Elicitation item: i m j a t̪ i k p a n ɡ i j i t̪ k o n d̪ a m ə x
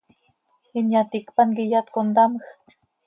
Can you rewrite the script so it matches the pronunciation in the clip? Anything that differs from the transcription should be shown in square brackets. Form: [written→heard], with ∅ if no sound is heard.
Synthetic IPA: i [m→n] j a t̪ i k p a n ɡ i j [i→a] t̪ k o n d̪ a m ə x